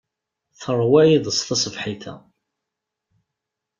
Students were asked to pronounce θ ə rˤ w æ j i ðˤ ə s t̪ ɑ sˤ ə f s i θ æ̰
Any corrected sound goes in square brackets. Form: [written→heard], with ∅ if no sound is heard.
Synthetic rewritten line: θ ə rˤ w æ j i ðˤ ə s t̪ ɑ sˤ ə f [s→ħ] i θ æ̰